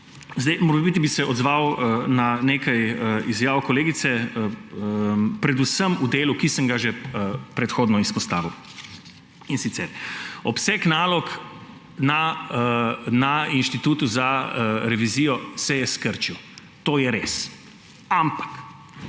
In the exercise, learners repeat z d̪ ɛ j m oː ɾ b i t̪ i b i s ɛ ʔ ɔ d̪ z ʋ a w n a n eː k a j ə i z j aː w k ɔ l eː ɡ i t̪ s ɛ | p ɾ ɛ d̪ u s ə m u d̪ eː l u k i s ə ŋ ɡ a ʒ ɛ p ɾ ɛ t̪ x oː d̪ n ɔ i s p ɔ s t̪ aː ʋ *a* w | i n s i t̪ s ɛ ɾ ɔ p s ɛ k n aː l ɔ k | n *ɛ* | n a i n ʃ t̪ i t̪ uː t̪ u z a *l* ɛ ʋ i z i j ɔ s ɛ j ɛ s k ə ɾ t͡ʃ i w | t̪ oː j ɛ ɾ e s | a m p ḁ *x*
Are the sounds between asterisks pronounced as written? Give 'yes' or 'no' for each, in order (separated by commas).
no, no, no, no